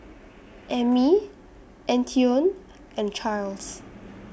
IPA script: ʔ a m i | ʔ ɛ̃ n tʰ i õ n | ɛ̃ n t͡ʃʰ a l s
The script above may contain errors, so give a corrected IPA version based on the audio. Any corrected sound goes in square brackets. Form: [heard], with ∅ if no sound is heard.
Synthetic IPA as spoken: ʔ [ɛ] m i | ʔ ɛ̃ n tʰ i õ n | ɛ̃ n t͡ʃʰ a l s